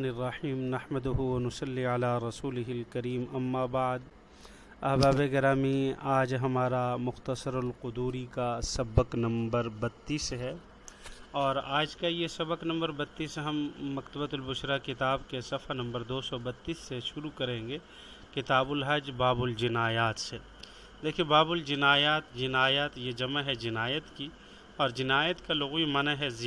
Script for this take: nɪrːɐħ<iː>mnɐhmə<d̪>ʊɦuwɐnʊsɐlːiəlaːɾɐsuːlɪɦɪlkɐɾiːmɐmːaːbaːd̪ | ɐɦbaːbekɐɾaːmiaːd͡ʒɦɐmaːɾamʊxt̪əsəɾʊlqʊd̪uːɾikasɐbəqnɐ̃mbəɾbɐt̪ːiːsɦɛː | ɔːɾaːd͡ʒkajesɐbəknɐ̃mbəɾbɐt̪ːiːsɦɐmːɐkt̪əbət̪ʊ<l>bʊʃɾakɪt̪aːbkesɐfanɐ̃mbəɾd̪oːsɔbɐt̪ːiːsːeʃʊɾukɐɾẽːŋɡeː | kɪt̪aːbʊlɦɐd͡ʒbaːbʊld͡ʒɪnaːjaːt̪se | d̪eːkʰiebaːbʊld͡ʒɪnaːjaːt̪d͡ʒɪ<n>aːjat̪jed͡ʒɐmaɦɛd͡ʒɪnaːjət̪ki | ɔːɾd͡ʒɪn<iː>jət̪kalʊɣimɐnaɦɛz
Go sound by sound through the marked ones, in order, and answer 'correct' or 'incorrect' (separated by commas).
correct, correct, correct, correct, incorrect